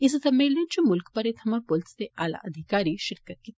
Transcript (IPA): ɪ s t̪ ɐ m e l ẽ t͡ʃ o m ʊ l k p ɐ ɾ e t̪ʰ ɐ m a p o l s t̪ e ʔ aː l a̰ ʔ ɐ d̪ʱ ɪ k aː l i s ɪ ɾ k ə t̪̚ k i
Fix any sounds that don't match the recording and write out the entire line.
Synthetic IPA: ɪ s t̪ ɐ m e l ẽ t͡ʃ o m ʊ l k p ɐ ɾ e t̪ʰ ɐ m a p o l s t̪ e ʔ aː l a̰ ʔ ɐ d̪ʱ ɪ k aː ɾ i ʃ ɪ ɾ k ə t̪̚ k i